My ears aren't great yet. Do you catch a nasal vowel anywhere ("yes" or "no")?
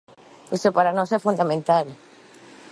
yes